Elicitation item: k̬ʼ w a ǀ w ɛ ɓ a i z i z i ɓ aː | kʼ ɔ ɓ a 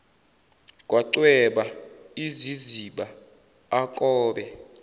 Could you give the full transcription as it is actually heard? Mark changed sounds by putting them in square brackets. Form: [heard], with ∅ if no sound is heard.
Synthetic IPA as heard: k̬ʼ w a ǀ w ɛ ɓ a i z i z i ɓ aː | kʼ [ɔː] ɓ [ɛ]